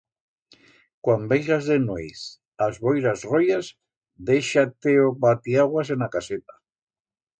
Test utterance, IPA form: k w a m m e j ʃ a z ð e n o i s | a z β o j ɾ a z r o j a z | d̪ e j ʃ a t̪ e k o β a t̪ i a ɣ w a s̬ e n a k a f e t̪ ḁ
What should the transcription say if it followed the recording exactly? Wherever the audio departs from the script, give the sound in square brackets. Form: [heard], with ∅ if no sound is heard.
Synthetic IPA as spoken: k w a m [b] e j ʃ a z ð e n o [j] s | a z β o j ɾ a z r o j a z | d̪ e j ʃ a t̪ e [∅] o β a t̪ i a ɣ w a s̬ e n a k a [s] e t̪ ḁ

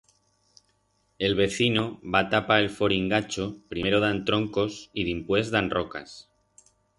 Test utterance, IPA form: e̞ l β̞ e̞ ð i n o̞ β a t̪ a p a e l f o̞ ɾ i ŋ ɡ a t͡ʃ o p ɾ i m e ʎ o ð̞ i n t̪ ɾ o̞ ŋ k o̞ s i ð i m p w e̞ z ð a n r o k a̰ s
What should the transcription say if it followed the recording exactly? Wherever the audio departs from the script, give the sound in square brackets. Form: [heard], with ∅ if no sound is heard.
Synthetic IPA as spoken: e̞ l β̞ e̞ [θ] i n o̞ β a t̪ a p a e l f o̞ ɾ i ŋ ɡ a t͡ʃ o p ɾ i m e [ɾ] o ð̞ [a] n t̪ ɾ o̞ ŋ k o̞ s i ð i m p w e̞ z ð a n r o k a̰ s

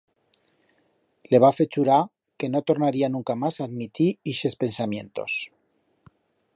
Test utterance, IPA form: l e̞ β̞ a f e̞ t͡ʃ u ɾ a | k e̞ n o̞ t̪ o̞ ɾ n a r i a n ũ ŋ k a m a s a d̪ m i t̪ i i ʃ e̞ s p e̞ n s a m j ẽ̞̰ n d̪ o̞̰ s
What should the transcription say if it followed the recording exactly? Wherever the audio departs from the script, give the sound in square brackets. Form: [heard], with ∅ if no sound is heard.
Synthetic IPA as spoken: l e̞ β̞ a f e̞ t͡ʃ u ɾ a | k e̞ n o̞ t̪ o̞ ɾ n a [ɾ] i a n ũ ŋ k a m a s a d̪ m i t̪ i i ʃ e̞ s p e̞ n s a m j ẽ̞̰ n [t̪] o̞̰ s

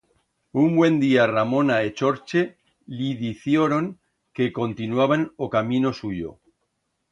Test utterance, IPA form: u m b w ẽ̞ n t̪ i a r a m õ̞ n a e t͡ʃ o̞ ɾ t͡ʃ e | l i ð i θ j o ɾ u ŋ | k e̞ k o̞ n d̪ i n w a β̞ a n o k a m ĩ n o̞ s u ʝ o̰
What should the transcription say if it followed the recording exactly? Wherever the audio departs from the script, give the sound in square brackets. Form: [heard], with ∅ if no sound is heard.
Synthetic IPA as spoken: u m b w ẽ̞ n [d̪] i a r a m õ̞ n a e t͡ʃ o̞ ɾ t͡ʃ e | l i ð i θ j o ɾ [o] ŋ | k e̞ k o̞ n [t̪] i n w a β̞ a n o k a m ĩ n o̞ s u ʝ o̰

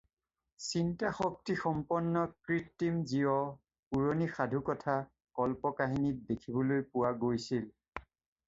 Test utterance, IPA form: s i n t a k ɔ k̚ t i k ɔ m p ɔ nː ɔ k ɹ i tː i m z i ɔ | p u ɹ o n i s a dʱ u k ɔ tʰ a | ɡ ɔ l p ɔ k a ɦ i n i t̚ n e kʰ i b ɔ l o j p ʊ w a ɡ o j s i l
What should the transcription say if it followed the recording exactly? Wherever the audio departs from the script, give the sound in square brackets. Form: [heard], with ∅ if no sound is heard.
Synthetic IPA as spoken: s i n t a [x] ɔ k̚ t i [x] ɔ m p ɔ nː ɔ k ɹ i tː i m z i ɔ | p u ɹ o n i [x] a dʱ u k ɔ tʰ a | [k] ɔ l p ɔ k a ɦ i n i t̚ [d] e kʰ i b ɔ l o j p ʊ w a ɡ o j s i l

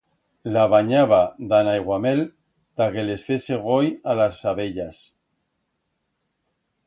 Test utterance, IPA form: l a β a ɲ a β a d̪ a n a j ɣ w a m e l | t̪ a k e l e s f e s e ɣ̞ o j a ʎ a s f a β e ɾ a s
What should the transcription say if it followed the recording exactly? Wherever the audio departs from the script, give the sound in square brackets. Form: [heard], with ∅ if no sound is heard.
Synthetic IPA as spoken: l a β a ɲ a β a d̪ a n a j ɣ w a m e l | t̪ a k e l e s f e s e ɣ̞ o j a [l] a s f a β e [ʎ] a s

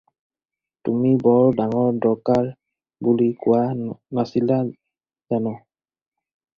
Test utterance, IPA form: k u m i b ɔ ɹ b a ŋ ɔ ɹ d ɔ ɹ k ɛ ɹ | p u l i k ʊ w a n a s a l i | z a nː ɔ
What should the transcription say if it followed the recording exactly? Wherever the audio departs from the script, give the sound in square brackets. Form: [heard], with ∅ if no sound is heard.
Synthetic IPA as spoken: [t] u m i b ɔ ɹ [d] a ŋ ɔ ɹ d ɔ ɹ k [a] ɹ | [b] u l i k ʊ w a n a s [i] l [a] | z a [n] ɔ

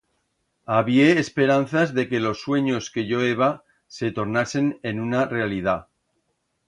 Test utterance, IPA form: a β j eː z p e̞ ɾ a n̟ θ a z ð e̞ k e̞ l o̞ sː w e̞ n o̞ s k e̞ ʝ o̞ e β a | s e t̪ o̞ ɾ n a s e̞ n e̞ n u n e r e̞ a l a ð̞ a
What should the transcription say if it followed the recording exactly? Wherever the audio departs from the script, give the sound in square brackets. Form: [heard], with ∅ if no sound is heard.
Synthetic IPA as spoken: a β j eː [s] p e̞ ɾ a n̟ θ a z ð e̞ k e̞ l o̞ sː w e̞ [ɲ] o̞ s k e̞ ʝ o̞ e β a | s e t̪ o̞ ɾ n a s e̞ n e̞ n u n [a] r e̞ a l [i] ð̞ a

